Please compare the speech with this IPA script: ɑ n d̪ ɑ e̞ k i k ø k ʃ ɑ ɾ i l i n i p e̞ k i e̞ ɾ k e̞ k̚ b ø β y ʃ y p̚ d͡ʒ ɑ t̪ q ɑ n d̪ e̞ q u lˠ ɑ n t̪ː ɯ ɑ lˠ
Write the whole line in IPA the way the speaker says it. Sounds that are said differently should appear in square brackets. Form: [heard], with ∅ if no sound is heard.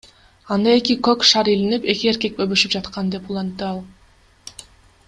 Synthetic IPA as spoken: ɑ n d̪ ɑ e̞ k i k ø k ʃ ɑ ɾ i l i n i p e̞ k i e̞ ɾ k e̞ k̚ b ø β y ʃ y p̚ d͡ʒ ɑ t̪ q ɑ n d̪ e̞ [p] u lˠ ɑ n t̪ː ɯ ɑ lˠ